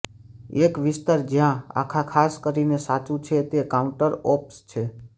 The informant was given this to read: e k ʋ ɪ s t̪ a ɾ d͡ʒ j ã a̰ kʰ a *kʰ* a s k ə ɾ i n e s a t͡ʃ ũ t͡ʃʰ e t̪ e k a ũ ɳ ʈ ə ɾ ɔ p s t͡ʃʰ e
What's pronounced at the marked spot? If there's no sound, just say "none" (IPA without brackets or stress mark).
kʰ